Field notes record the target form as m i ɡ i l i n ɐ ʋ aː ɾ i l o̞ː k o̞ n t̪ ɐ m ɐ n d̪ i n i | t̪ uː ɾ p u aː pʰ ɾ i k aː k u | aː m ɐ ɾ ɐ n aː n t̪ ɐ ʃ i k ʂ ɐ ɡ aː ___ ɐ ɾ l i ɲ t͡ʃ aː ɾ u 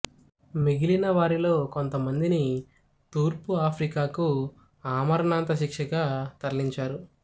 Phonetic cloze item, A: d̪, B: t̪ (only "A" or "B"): B